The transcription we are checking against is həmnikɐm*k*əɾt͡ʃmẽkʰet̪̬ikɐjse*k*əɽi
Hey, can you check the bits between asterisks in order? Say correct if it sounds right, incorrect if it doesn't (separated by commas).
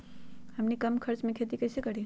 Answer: incorrect, correct